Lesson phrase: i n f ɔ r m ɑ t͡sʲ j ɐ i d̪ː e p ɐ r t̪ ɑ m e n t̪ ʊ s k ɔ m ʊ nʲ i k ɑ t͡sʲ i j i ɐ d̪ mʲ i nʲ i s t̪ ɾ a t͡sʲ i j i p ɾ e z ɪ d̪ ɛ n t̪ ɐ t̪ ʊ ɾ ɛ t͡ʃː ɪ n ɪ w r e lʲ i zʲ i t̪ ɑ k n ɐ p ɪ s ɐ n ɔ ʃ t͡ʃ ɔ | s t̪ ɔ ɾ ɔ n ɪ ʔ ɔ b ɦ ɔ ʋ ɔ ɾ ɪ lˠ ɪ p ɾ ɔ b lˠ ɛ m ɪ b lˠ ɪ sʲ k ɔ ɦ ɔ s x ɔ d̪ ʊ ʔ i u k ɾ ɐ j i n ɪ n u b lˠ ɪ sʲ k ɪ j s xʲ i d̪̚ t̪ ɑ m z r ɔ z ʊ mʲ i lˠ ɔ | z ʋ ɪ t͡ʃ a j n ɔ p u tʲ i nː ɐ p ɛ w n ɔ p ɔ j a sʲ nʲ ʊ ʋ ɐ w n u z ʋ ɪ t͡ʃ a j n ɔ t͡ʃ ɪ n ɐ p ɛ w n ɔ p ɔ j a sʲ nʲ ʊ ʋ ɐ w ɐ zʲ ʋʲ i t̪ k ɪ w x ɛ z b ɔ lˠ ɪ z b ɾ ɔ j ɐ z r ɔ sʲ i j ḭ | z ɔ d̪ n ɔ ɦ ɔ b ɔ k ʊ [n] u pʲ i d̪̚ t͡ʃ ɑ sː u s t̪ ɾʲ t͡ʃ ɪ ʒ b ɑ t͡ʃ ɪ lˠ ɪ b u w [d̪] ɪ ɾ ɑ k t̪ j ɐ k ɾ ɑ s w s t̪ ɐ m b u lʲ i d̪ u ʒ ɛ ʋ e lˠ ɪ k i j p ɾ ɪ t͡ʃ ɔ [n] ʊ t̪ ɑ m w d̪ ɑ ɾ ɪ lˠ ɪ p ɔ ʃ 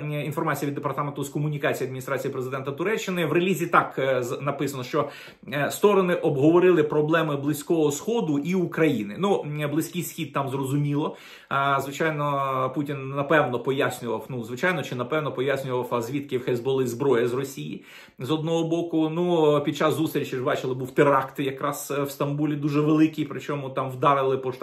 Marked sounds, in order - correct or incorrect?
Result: correct, incorrect: t̪, incorrect: m

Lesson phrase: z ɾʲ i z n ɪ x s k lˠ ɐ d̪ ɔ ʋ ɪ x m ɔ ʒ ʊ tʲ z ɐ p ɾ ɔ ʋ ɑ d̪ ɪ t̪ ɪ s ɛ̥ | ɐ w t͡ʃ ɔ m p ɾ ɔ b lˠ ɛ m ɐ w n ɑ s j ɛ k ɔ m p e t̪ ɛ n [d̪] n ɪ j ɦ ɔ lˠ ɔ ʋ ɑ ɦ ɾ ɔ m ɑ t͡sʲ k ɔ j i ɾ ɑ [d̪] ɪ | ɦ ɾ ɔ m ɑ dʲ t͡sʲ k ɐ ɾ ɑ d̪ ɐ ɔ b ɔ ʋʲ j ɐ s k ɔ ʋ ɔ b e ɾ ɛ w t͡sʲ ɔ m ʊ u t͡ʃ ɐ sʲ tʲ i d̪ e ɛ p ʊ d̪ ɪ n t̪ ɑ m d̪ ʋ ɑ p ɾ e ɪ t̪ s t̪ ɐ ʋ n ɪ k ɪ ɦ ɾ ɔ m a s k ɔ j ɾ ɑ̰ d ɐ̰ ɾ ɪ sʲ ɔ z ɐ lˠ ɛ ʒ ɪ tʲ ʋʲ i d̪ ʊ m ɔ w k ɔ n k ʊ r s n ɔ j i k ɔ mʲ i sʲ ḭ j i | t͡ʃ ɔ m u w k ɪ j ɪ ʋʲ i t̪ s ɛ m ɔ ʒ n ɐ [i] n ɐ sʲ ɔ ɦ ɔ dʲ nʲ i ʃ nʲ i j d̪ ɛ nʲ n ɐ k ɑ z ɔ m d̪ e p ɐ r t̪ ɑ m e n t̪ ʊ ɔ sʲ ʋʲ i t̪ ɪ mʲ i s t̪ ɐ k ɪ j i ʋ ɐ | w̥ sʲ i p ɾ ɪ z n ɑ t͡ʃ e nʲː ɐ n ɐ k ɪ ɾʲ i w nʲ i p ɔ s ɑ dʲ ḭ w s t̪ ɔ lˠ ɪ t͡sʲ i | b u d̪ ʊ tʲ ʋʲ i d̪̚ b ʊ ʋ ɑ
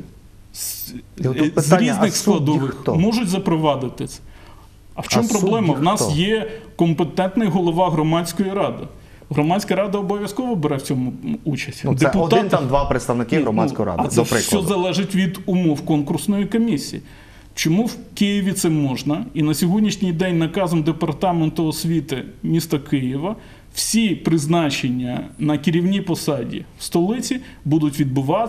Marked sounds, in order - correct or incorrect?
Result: incorrect: t̪, correct, correct

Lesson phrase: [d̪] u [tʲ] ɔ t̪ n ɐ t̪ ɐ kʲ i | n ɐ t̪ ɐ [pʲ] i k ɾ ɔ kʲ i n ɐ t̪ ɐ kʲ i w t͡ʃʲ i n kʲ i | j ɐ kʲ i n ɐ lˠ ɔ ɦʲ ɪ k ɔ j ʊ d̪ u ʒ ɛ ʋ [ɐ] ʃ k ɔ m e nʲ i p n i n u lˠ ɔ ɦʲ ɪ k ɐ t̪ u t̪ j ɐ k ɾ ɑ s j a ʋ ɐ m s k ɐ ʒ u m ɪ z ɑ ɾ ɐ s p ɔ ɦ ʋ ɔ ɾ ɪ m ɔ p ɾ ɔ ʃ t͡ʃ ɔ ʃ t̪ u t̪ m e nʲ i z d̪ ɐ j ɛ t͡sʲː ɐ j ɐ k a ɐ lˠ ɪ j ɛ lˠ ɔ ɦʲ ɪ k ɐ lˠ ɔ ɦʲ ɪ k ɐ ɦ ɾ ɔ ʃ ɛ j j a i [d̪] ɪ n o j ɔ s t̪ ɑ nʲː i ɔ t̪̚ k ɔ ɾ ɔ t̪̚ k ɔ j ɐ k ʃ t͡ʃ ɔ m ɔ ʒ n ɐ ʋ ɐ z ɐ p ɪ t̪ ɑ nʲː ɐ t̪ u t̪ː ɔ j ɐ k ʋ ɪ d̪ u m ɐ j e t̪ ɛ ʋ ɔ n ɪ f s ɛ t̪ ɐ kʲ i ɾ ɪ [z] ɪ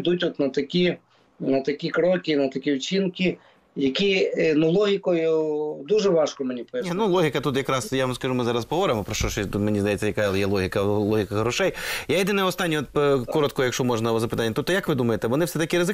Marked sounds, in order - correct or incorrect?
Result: correct, correct, incorrect: kʲ, incorrect: ɑ, correct, correct

